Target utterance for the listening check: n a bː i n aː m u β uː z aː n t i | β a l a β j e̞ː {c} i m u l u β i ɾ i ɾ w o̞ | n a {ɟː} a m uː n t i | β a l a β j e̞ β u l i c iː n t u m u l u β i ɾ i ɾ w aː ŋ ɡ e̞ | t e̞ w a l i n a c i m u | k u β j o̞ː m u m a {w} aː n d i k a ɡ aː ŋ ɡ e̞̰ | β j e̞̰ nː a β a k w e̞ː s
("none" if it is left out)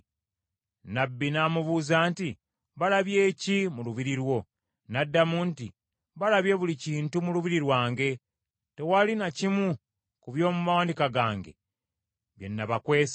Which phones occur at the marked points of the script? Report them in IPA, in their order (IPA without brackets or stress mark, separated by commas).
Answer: c, dː, w